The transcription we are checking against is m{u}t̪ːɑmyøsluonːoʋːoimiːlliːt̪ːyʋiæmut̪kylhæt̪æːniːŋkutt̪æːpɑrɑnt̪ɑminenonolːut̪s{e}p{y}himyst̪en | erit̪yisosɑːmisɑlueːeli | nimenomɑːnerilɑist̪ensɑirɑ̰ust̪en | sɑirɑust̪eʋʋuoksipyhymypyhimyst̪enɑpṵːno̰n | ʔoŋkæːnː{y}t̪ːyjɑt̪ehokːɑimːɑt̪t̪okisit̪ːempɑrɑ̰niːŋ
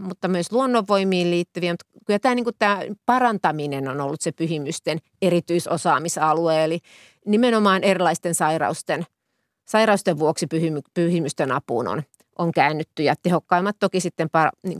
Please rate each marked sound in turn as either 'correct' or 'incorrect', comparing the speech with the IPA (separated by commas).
correct, correct, correct, correct